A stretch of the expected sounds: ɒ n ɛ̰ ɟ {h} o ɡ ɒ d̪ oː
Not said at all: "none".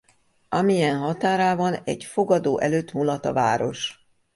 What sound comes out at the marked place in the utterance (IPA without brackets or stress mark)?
f